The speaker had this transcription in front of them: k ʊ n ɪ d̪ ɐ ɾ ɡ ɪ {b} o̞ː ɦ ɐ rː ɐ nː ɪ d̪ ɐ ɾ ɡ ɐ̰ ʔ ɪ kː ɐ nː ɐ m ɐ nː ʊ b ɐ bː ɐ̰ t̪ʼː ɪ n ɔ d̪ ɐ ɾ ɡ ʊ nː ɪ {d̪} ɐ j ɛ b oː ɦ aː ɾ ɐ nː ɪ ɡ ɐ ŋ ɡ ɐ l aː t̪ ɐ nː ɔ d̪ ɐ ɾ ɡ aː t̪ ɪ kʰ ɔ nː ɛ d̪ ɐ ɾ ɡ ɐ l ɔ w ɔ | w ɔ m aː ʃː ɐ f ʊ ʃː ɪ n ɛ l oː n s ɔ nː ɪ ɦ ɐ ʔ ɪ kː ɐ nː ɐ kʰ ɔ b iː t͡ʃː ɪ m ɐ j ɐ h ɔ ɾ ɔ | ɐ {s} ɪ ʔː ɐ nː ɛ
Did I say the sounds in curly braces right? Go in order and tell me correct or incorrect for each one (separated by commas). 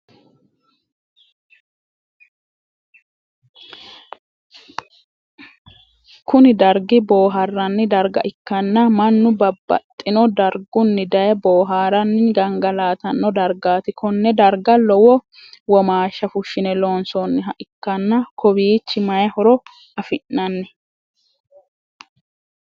correct, correct, incorrect